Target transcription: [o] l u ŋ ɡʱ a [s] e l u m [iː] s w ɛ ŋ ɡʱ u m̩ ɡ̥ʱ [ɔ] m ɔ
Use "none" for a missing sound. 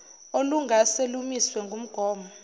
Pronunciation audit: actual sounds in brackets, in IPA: o, s, i, ɔː

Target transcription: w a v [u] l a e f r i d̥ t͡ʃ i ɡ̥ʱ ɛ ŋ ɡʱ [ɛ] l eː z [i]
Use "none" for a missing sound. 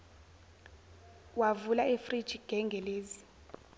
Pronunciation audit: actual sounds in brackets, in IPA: u, ɛ, i

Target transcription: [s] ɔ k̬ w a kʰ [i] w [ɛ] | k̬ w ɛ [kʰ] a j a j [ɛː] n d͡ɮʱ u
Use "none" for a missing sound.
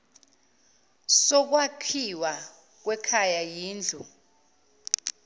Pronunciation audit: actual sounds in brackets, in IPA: s, i, a, kʰ, iː

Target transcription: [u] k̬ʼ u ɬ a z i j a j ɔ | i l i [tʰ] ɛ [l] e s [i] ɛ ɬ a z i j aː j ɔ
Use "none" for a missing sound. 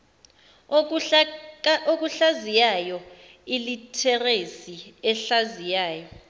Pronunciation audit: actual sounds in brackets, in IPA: o, tʰ, r, i

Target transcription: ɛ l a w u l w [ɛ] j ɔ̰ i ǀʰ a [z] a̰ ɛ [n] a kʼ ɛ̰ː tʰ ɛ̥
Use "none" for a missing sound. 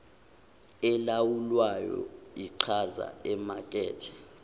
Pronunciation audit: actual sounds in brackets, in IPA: a, z, m

